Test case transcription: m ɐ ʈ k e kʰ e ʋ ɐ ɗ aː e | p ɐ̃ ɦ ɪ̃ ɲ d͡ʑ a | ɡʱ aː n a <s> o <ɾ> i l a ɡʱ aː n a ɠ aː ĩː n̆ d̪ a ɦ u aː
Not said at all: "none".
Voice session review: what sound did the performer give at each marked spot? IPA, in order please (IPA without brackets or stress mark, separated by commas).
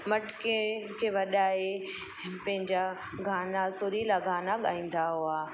s, ɾ